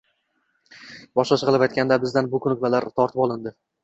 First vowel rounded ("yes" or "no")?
yes